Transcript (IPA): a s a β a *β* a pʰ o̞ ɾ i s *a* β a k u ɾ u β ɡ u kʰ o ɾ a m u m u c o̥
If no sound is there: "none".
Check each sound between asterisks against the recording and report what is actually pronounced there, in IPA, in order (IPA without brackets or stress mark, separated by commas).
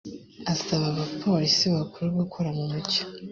β, i